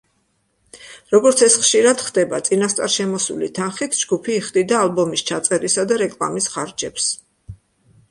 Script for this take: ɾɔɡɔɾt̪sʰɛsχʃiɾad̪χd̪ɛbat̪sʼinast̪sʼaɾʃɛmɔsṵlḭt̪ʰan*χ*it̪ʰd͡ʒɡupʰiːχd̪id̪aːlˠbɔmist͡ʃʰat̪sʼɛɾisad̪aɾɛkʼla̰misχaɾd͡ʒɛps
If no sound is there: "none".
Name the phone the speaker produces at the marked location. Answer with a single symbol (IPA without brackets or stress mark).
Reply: χ